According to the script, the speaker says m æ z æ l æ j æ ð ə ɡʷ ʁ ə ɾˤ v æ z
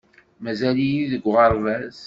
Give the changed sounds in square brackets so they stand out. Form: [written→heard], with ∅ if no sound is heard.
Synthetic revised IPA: m æ z æ l [æ→i] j [æ→i] ð ə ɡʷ ʁ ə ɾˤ v æ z

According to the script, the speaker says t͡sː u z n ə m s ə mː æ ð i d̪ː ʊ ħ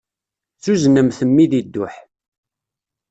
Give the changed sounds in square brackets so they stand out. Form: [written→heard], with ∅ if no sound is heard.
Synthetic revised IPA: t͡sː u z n ə m [s→θ] ə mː [æ→i] ð i d̪ː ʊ ħ

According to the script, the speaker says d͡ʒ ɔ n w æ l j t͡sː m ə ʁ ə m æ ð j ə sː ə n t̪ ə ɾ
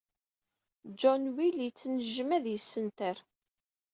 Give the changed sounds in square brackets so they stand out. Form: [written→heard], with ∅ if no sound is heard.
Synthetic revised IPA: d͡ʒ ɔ n w [æ→i] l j t͡sː [m→n] ə [ʁ→ʒ] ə m æ ð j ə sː ə n t̪ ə ɾ

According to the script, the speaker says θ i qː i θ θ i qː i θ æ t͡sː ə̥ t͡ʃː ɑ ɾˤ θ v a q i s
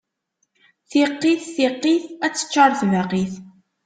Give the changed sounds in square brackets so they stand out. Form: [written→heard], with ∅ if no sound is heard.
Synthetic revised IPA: θ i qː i θ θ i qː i θ æ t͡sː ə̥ t͡ʃː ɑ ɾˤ θ v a q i [s→θ]

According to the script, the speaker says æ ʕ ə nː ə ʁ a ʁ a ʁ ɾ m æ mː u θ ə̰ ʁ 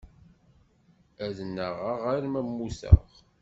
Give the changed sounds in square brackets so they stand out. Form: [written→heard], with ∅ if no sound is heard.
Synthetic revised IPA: æ [ʕ→ð] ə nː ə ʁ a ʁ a [ʁ→∅] ɾ m æ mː u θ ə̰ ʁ

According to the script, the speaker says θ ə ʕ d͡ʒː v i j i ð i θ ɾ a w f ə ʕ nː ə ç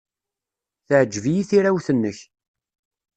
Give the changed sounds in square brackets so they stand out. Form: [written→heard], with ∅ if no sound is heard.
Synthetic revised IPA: θ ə ʕ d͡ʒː v i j i [ð→θ] i [θ→∅] ɾ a w [f→θ] ə [ʕ→∅] nː ə ç

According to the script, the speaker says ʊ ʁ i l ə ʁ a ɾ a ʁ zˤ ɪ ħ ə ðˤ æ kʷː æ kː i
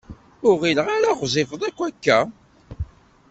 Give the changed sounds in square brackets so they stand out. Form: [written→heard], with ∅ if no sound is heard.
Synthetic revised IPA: ʊ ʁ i l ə ʁ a ɾ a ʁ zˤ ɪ [ħ→f] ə ðˤ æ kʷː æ kː [i→æ]

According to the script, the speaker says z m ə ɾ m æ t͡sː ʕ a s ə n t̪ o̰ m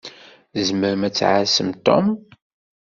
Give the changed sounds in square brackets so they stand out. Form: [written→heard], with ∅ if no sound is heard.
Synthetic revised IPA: z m ə ɾ m æ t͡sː ʕ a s ə [n→m] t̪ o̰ m

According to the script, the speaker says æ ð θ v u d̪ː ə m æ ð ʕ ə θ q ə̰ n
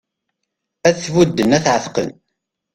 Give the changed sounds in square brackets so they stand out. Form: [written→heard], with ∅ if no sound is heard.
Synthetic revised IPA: æ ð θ v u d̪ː ə [m→n] æ [ð→θ] ʕ ə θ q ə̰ n

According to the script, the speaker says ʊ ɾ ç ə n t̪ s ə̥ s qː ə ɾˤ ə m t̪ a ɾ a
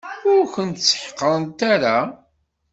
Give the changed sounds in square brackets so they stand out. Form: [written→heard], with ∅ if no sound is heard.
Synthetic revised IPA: ʊ ɾ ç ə n t̪ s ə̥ [s→ħ] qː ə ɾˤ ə [m→n] t̪ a ɾ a

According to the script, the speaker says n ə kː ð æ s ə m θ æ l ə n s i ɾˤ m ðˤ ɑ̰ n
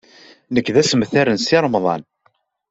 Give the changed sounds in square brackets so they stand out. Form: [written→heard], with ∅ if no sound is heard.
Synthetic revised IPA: n ə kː ð æ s ə m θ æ [l→ɾ] ə n s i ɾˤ m ðˤ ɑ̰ n

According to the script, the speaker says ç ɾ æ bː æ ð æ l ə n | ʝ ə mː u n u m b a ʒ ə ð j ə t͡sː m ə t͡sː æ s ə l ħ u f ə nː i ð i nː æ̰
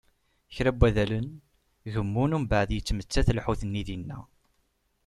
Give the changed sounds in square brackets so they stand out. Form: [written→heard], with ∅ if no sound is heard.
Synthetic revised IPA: ç ɾ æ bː æ ð æ l ə n | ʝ ə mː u n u m b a [ʒ→ʕ] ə ð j ə t͡sː m ə t͡sː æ [s→θ] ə l ħ u [f→θ] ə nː i ð i nː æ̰

